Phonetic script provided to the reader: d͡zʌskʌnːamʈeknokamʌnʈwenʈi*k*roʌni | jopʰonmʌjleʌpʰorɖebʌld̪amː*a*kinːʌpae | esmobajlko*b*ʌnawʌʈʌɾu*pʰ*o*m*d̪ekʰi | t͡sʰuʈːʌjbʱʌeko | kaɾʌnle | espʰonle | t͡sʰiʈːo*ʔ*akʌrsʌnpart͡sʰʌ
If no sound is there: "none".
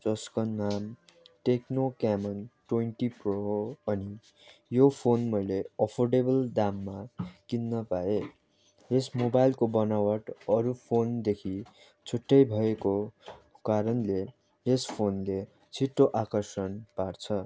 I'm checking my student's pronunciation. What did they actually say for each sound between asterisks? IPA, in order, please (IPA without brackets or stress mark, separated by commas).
p, a, b, pʰ, n, ʔ